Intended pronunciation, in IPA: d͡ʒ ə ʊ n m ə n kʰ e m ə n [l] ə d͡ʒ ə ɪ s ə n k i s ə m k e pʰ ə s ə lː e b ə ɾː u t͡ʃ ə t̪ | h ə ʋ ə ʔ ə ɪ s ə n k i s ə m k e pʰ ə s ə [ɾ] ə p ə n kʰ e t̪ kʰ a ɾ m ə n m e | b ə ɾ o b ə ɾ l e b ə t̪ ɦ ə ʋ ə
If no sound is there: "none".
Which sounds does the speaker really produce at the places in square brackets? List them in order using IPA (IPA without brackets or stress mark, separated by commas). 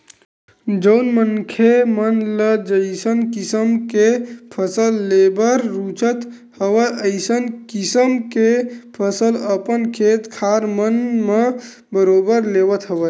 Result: l, l